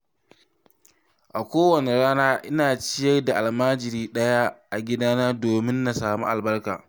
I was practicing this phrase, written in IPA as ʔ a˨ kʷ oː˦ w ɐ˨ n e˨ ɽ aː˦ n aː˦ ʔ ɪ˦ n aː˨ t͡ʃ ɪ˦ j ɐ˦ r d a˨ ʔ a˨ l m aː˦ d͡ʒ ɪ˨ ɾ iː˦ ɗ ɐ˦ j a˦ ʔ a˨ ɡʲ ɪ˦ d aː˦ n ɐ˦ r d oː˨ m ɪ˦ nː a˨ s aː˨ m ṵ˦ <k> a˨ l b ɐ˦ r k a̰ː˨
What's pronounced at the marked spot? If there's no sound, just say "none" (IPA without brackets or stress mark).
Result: ʔ